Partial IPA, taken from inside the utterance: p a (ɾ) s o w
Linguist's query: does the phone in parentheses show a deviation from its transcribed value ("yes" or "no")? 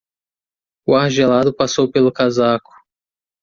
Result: yes